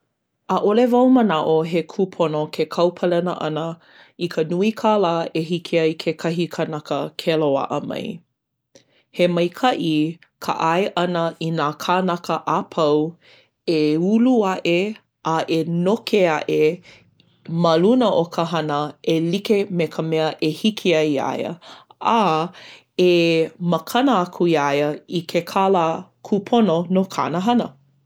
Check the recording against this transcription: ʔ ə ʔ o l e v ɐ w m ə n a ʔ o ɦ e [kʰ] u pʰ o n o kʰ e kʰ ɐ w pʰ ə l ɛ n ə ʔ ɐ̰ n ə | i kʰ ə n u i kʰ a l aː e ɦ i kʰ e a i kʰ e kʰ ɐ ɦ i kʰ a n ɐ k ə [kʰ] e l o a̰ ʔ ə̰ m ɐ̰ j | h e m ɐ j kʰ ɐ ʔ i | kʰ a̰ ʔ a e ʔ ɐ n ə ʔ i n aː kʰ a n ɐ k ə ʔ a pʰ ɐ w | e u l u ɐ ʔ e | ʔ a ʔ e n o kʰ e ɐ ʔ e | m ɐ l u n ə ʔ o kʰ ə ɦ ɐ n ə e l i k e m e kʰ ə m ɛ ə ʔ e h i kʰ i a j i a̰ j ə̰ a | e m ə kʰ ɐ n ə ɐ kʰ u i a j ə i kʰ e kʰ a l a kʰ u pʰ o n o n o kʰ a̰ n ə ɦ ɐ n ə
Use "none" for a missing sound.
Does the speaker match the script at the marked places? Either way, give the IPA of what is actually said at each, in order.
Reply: kʰ, kʰ

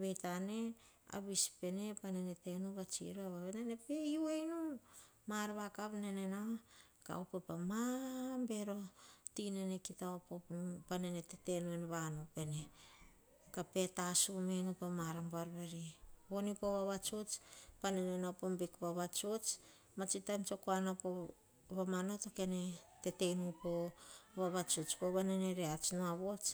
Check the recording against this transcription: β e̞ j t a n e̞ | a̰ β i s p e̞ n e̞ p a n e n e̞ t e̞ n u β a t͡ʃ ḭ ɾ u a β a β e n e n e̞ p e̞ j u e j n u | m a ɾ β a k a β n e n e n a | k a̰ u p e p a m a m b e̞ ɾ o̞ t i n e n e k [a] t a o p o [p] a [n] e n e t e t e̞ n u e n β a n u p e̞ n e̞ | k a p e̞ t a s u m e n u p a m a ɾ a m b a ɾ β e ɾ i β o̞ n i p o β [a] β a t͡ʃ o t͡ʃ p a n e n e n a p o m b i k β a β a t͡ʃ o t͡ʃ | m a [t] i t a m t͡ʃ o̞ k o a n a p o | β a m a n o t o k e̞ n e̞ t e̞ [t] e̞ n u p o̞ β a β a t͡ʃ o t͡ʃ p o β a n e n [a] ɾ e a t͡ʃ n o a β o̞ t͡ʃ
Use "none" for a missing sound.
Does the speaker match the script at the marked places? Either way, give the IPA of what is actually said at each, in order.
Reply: i, p, n, a, t͡ʃ, t, e

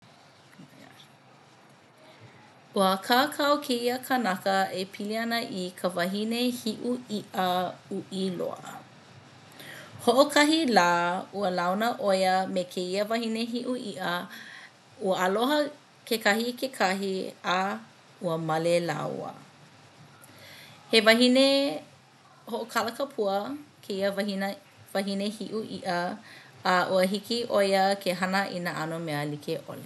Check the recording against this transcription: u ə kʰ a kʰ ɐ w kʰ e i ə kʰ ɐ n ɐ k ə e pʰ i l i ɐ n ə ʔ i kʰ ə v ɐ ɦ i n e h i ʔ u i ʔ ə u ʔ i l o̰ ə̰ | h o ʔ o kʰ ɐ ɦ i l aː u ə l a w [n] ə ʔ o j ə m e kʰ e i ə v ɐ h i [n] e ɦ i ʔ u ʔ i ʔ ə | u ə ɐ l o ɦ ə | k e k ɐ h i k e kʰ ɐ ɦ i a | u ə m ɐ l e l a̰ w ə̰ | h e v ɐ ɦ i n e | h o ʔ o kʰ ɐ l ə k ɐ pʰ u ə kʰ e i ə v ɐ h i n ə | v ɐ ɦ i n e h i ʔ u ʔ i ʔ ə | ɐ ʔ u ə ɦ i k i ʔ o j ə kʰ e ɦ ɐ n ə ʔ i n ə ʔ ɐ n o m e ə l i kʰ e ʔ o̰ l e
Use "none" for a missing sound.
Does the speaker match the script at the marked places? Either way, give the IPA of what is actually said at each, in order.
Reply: n, n

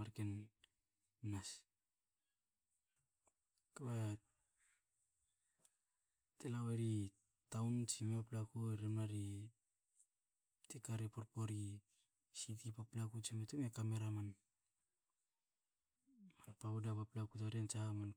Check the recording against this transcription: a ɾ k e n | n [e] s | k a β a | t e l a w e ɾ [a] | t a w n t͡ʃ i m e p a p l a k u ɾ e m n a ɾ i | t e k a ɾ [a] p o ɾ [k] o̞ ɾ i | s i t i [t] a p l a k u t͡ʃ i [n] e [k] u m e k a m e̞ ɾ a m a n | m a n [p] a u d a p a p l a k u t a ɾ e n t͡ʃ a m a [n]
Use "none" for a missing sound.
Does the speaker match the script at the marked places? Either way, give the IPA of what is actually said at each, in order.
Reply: a, i, e, p, p, m, t, p, n

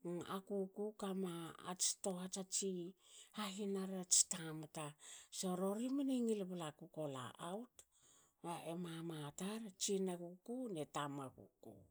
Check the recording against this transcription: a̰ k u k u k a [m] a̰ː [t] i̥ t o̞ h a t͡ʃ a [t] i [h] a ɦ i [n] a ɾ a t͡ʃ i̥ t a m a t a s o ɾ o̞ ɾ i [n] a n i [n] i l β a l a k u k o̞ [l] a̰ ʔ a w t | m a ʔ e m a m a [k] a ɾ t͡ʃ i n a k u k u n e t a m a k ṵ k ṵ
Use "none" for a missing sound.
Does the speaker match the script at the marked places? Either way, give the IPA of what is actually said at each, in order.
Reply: m, t͡ʃ, t͡ʃ, h, n, m, ŋ, l, t

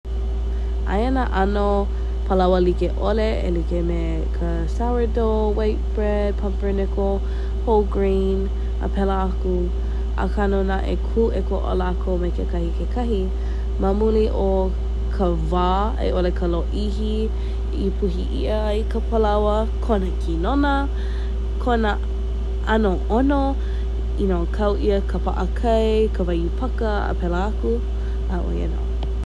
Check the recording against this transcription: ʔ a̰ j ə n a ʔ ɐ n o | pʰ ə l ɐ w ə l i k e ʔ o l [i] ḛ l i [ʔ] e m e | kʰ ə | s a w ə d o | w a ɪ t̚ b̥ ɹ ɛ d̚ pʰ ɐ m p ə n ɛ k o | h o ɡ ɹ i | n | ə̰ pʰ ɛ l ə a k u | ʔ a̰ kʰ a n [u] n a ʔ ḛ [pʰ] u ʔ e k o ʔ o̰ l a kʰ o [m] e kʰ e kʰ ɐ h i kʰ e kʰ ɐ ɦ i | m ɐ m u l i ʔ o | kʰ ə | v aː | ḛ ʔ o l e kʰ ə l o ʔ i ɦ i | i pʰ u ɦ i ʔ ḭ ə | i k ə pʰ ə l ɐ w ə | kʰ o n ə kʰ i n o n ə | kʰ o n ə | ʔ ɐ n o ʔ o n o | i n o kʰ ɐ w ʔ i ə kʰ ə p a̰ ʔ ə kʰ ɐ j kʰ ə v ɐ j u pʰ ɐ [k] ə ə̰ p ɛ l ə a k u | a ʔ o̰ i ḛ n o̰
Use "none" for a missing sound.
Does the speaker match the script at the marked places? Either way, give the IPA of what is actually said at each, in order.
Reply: e, k, o, kʰ, m, k

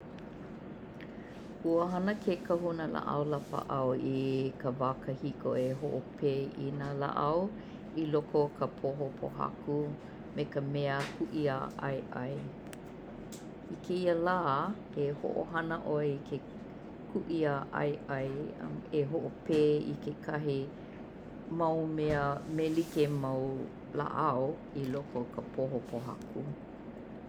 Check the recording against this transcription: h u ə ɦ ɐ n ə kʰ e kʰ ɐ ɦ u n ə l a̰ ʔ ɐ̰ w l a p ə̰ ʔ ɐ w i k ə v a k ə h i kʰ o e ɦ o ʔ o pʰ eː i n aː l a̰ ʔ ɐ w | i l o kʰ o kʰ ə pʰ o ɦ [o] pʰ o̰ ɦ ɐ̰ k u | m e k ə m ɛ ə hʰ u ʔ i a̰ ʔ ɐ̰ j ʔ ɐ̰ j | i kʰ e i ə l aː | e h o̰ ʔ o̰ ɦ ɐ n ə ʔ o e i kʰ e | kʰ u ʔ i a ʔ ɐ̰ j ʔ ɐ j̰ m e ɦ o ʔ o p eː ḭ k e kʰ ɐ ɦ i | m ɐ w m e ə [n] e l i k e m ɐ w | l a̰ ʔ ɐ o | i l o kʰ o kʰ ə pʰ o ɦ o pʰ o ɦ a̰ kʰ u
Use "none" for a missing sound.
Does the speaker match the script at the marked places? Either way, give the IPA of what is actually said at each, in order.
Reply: o, m

